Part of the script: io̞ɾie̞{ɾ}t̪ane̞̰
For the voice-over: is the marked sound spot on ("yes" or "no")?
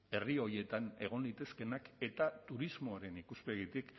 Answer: no